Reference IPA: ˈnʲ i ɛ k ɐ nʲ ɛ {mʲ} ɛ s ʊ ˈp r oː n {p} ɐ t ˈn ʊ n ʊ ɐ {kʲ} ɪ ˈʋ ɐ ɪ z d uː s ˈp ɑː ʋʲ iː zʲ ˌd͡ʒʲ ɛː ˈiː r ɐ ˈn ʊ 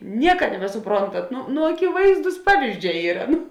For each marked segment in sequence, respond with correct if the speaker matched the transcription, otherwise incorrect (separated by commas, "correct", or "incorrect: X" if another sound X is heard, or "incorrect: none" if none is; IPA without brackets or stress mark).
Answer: incorrect: bʲ, incorrect: t, correct